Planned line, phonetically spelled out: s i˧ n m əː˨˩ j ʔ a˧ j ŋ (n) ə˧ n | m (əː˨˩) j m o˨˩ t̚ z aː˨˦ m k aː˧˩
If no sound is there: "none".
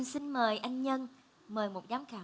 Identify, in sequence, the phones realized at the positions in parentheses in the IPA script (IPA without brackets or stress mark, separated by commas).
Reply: ɲ, əː˨˩